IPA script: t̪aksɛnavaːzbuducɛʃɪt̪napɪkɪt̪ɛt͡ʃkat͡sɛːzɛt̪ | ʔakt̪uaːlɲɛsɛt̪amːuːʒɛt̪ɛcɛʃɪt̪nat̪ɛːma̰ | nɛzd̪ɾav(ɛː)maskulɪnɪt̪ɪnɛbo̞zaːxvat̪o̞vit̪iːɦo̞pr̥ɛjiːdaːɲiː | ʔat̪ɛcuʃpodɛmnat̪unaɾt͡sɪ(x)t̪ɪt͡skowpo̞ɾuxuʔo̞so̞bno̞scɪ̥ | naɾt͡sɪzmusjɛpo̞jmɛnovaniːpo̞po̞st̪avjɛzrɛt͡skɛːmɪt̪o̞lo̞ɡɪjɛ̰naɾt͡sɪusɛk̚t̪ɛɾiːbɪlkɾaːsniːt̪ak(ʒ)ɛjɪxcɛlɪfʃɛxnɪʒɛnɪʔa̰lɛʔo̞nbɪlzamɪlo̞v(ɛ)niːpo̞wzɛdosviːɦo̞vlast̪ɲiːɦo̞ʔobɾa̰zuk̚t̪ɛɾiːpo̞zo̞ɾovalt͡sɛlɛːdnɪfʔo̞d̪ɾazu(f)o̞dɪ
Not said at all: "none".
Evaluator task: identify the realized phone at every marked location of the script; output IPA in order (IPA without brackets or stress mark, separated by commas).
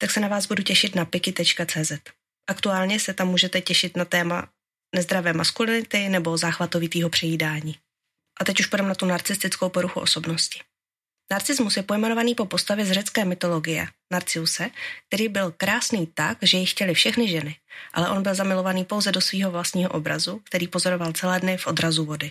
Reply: ɛː, s, ʒ, a, v